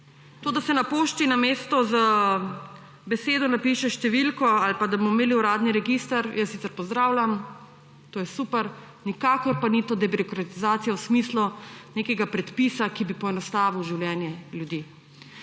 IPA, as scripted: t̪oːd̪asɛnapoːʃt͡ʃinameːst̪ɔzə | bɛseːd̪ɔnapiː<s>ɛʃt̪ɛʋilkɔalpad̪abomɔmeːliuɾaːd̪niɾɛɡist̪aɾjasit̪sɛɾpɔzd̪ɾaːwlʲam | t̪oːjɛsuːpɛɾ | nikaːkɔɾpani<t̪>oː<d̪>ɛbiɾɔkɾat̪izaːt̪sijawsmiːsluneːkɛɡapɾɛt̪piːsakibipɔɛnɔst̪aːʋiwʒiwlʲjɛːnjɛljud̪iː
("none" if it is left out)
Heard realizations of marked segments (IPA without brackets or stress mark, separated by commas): ʃ, t̪, d̪